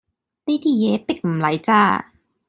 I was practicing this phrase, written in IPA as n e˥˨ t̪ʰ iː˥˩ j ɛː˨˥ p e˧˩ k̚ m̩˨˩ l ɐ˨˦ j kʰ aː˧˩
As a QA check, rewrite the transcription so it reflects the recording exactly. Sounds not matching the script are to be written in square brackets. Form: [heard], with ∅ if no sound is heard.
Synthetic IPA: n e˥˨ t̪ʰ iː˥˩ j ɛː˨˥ p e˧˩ k̚ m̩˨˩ l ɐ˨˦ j [k] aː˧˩